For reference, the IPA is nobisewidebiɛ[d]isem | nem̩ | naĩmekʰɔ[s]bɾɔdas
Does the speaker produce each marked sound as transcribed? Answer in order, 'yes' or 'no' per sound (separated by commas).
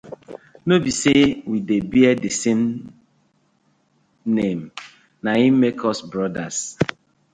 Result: yes, yes